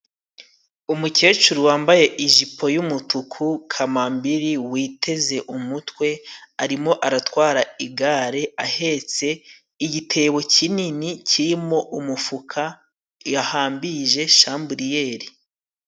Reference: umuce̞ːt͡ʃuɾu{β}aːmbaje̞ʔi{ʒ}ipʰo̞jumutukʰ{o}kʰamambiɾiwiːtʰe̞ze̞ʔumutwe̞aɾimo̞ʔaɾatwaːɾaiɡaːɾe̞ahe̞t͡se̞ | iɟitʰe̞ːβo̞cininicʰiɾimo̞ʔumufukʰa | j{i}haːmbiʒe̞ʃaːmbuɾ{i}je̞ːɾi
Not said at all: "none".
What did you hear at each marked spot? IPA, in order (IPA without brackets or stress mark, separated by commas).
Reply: w, ʒ, u, a, i